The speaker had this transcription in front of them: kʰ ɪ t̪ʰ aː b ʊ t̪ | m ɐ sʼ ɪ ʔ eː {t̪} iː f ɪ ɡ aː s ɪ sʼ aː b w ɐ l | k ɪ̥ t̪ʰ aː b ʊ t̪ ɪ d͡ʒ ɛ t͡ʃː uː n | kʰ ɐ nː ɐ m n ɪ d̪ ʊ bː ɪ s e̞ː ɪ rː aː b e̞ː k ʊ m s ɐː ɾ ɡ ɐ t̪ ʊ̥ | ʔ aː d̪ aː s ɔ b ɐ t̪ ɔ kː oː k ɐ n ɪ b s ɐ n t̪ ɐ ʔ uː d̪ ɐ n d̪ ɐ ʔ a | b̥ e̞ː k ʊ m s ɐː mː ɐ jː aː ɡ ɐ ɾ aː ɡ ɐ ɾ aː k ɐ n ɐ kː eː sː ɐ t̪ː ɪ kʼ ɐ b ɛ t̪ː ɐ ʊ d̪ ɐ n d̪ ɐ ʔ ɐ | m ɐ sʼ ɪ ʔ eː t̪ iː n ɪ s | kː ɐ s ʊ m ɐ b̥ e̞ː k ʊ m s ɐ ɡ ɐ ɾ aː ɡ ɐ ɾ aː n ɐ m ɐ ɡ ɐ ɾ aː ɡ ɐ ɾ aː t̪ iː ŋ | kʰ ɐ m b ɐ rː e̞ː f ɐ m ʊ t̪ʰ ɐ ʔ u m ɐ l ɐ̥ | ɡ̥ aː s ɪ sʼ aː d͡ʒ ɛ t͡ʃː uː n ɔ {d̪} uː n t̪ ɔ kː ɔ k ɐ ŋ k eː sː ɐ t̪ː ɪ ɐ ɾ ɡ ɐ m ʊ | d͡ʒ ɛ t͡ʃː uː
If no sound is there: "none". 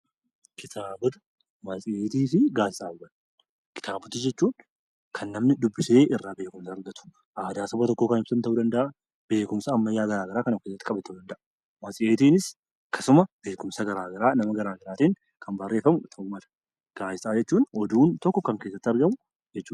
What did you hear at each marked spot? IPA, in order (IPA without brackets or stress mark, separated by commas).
t̪, d̪